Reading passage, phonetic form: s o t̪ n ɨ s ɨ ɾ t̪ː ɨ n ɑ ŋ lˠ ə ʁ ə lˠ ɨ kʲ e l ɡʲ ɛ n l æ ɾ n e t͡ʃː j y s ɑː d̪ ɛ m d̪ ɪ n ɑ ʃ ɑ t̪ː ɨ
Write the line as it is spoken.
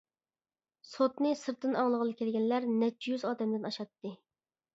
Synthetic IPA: s o t̪ n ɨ s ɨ ɾ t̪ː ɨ n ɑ ŋ lˠ ə ʁ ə lˠ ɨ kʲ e l ɡʲ ɛ n l æ ɾ n ɛ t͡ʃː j y z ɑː d̪ ɛ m d̪ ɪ n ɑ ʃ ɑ t̪ː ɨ